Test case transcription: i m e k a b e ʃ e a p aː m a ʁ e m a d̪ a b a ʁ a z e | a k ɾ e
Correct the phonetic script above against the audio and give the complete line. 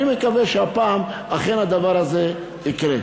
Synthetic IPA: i m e k a v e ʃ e a p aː m a χ e n a d̪ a v a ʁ a z e | i k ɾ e